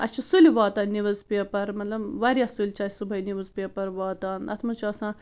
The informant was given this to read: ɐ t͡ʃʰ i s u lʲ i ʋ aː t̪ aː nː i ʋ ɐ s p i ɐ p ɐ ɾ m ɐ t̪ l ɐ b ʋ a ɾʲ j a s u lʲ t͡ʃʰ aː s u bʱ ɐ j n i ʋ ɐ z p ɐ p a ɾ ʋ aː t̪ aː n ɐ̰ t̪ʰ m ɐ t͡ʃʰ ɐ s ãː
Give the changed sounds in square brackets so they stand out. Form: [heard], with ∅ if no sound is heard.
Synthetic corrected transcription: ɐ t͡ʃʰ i s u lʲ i ʋ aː t̪ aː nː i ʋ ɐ [z] p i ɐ p ɐ ɾ m ɐ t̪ l ɐ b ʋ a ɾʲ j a s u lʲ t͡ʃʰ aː s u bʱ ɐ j n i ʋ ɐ z p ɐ p [ɐ] ɾ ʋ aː t̪ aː n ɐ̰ t̪ʰ m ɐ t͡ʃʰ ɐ s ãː